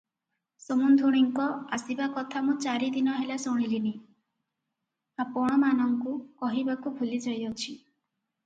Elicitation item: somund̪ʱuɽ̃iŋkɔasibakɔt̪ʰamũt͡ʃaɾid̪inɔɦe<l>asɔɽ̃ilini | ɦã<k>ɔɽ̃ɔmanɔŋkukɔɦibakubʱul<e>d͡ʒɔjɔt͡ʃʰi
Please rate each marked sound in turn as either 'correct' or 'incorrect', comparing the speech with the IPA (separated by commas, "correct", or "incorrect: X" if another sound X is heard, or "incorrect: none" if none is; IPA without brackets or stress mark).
correct, incorrect: p, incorrect: i